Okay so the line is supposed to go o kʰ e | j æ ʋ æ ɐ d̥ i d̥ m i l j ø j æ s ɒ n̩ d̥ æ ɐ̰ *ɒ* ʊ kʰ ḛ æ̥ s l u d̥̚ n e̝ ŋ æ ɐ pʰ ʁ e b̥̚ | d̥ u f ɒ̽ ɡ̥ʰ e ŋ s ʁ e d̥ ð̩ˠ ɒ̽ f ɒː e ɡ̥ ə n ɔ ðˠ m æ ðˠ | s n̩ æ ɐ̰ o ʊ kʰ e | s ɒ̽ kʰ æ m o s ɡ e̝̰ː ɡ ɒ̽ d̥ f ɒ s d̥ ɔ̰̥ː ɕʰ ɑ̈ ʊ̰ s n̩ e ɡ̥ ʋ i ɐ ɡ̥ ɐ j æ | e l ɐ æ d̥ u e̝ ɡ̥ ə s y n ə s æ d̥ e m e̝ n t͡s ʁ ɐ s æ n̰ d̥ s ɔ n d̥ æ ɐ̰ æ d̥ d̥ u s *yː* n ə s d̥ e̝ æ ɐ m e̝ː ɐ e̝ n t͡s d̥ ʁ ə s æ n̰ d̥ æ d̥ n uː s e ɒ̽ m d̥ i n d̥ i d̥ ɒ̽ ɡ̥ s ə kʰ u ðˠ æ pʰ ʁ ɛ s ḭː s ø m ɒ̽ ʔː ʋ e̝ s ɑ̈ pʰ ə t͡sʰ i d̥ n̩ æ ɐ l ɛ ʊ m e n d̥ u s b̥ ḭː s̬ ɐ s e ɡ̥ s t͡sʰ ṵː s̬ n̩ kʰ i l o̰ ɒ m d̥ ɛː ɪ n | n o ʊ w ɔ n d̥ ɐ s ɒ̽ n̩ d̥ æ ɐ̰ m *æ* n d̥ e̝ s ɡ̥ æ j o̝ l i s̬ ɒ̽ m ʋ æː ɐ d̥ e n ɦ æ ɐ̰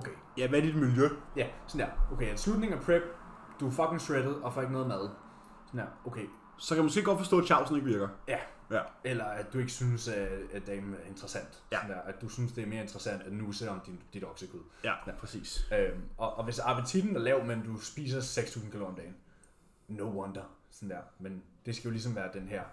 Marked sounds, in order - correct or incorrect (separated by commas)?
incorrect, incorrect, incorrect